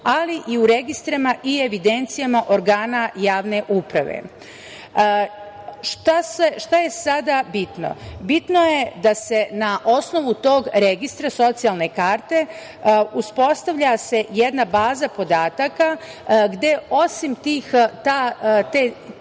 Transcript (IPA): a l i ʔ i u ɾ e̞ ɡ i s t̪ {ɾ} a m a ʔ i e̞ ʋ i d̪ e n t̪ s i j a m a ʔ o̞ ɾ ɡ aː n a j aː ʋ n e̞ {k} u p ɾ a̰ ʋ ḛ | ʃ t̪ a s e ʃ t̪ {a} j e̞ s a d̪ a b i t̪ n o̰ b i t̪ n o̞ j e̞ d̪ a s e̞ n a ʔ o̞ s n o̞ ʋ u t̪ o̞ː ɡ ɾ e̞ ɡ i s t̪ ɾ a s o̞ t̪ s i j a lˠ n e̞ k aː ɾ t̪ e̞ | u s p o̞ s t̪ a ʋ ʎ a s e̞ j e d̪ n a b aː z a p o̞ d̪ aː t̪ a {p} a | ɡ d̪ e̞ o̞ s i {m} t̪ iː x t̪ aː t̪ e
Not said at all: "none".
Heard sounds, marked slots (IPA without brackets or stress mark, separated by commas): ɾ, ʔ, a, k, m